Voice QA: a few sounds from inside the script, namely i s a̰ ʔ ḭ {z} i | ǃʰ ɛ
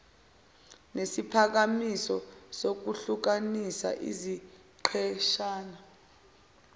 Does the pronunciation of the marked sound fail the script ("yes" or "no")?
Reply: no